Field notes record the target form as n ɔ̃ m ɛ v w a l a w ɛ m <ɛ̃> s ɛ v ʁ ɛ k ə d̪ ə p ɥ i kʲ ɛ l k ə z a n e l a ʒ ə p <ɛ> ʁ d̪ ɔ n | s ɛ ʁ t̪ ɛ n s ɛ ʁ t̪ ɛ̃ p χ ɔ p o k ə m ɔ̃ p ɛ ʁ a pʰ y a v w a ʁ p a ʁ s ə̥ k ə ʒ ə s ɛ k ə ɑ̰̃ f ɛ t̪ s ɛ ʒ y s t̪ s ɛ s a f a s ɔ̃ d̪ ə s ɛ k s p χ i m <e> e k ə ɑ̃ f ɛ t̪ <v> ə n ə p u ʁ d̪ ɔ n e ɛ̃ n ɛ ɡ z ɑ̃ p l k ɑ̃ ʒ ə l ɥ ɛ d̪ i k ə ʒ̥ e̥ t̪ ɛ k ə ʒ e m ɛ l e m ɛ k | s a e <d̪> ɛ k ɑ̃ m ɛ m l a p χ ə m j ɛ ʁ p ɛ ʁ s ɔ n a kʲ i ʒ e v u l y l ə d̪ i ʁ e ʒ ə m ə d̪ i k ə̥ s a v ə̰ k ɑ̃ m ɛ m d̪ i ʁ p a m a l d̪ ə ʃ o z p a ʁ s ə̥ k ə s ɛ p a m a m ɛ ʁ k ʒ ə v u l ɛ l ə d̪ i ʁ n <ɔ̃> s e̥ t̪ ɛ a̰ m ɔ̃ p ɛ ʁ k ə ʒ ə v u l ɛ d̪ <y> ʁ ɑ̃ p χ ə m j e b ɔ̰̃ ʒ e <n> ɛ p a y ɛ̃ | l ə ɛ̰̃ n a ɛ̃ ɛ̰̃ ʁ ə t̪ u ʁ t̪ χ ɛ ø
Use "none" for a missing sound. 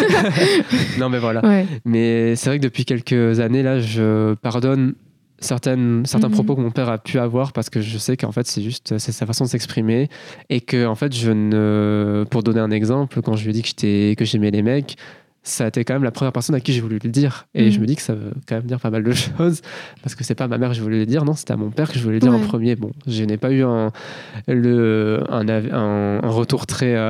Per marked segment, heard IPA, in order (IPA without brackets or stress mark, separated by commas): ɛ, a, e, ʒ, t̪, ɔ̃, i, n